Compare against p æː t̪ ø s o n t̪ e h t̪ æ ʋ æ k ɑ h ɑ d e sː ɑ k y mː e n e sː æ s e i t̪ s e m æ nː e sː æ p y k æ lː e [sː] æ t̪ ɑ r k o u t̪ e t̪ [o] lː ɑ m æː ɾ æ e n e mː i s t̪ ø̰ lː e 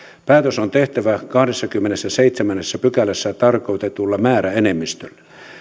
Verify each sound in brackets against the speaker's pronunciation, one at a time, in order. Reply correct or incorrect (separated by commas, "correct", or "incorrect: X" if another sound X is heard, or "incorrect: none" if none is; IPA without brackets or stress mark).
correct, incorrect: u